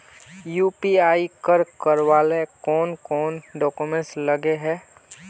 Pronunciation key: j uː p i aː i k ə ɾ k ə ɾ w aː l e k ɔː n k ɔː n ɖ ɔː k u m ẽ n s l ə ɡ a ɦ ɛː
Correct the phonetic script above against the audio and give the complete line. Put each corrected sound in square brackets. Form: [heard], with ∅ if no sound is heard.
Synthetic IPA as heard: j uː p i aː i k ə ɾ k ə ɾ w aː l e k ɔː n k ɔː n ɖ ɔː k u m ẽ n s l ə ɡ [e] ɦ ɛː